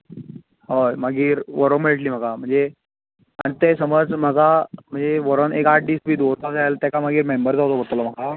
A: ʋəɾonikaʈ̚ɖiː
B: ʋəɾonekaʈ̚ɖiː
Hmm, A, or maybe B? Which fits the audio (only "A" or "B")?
B